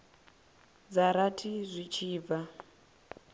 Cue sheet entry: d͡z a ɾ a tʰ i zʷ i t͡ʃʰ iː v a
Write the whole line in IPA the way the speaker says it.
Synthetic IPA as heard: d͡z a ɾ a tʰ i zʷ i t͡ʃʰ iː v a